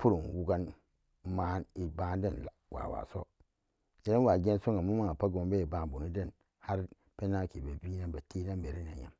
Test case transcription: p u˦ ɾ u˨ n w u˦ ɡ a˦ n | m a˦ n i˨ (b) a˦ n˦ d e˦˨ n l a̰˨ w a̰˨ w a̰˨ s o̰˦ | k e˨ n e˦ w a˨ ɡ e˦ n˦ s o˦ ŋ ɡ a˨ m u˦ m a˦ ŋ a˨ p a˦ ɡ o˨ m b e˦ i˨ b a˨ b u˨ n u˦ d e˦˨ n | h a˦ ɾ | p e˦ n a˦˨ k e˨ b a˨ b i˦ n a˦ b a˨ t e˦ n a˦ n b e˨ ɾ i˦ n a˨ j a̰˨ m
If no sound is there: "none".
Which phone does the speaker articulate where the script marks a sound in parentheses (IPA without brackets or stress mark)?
b